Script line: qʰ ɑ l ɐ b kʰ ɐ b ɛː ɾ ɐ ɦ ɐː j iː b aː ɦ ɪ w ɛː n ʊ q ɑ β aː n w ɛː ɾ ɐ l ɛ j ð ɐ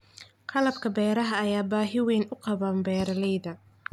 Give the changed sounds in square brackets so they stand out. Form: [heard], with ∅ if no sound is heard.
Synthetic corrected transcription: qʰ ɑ l ɐ b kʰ ɐ b ɛː ɾ ɐ ɦ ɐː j [aː] b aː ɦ ɪ w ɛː n ʊ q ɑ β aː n [b] ɛː ɾ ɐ l ɛ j ð ɐ